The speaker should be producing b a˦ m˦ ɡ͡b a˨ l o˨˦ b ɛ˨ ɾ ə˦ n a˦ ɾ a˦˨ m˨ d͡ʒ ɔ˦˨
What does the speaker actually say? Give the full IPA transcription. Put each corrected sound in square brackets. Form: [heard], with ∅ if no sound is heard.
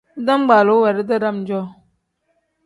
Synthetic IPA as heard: [d] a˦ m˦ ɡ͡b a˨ l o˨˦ [w] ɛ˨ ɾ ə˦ [d] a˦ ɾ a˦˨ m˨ d͡ʒ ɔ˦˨